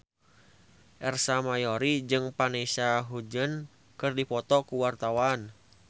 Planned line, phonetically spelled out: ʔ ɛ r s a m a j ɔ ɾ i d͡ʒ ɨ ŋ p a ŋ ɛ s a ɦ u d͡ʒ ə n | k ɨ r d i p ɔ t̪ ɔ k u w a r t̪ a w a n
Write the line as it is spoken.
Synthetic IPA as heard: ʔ ɛ r s a m a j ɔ ɾ i d͡ʒ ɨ ŋ p a n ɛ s a ɦ u d͡ʒ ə n | k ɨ r d i p ɔ t̪ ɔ k u w a r t̪ a w a n